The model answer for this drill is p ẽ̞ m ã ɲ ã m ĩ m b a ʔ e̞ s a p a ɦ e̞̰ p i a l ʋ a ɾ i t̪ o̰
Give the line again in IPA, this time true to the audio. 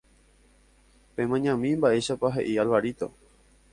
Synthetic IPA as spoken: p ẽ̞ m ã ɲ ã m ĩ m b a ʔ e̞ ʃ a p a ɦ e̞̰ ʔ i a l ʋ a ɾ i t̪ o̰